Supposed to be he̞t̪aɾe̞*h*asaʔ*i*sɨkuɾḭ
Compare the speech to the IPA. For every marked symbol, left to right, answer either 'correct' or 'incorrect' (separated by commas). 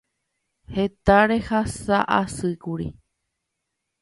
correct, incorrect